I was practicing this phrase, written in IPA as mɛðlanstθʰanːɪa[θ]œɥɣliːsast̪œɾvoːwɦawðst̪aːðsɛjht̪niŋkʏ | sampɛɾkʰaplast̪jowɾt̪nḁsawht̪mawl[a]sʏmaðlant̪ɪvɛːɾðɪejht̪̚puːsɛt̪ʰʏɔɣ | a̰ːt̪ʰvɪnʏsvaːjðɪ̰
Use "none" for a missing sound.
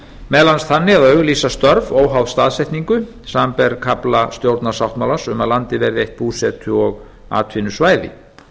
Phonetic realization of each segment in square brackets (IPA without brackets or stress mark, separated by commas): ð, a